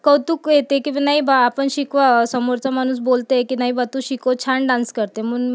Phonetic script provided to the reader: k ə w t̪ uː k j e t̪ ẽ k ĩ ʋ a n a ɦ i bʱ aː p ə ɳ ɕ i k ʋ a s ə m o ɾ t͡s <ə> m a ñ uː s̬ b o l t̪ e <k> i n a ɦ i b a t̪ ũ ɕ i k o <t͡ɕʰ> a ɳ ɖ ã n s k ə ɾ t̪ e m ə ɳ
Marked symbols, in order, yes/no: no, yes, yes

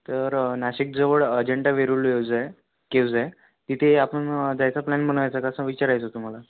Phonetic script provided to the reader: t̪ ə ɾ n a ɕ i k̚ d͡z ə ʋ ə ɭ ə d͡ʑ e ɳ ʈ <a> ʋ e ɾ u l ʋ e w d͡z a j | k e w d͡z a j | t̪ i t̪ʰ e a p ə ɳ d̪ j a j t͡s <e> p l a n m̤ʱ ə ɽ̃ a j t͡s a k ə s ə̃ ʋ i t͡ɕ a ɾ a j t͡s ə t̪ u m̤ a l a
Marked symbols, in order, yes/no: yes, no

